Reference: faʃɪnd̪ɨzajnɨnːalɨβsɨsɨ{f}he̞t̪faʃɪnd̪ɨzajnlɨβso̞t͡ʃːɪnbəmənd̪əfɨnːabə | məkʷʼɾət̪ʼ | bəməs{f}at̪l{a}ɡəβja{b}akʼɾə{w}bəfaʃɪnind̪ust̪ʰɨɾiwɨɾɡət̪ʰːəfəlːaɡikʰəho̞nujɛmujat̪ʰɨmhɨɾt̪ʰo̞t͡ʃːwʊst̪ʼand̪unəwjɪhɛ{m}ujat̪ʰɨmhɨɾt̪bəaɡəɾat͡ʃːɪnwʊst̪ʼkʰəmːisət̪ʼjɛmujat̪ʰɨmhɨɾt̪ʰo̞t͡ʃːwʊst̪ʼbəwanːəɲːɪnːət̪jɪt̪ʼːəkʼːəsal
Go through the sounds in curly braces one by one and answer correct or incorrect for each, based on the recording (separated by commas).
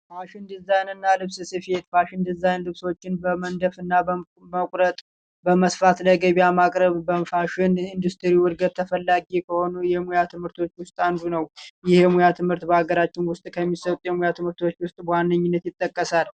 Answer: correct, correct, incorrect, incorrect, incorrect, correct